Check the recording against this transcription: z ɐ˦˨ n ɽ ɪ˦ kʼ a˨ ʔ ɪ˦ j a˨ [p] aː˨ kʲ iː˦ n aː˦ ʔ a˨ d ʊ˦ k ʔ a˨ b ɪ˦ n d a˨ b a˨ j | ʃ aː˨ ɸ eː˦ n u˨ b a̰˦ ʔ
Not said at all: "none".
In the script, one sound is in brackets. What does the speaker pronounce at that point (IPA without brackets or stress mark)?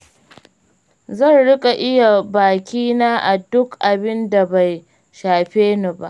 b